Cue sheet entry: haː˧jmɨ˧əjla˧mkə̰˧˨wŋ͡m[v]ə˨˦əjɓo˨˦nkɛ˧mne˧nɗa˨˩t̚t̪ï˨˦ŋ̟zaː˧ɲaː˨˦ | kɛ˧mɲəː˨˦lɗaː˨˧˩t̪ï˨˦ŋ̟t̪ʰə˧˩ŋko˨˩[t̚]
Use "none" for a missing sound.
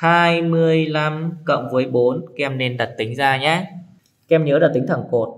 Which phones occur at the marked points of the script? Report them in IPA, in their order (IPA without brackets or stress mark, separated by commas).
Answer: v, t̚